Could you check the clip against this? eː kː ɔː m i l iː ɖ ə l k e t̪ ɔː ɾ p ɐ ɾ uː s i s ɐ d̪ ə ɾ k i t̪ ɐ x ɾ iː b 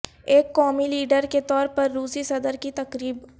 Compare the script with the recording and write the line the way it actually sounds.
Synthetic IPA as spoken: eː kː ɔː m i l iː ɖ ə ɾ k e t̪ ɔː ɾ p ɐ ɾː uː s i s ɐ d̪ ə ɾ k i t̪ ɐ k ɾ iː b